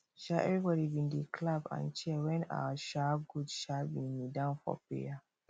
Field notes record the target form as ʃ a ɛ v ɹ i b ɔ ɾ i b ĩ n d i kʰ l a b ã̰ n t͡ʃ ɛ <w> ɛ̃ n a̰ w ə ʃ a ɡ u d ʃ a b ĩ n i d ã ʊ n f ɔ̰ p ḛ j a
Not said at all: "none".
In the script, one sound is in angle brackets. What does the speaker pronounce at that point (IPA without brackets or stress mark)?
w